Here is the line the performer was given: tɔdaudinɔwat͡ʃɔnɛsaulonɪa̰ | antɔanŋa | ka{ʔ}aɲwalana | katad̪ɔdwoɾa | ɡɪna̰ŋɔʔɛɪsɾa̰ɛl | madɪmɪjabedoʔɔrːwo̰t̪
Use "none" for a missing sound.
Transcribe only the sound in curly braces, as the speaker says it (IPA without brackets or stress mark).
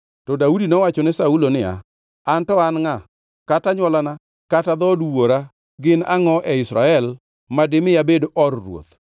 t